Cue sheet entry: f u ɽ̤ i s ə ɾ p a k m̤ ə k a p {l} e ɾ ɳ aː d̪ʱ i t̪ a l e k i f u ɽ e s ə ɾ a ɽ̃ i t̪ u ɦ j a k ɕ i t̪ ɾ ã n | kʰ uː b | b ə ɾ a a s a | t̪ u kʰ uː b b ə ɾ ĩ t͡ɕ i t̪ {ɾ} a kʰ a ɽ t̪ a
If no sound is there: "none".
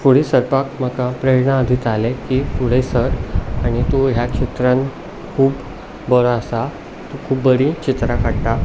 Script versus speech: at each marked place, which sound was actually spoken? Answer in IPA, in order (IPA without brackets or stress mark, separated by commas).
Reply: ɾ, ɾ